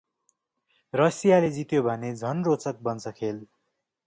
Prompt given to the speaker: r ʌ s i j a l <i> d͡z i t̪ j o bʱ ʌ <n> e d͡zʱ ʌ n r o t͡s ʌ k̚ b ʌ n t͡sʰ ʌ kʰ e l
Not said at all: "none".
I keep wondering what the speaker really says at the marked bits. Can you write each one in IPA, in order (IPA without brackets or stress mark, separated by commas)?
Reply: e, n